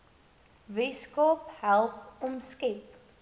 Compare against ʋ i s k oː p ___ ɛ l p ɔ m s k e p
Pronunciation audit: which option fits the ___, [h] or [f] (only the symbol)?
h